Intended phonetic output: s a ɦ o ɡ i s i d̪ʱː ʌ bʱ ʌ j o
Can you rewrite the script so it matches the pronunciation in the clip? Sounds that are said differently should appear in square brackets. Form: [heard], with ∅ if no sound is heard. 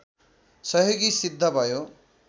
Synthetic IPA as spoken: s [ʌ] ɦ o ɡ i s i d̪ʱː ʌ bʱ ʌ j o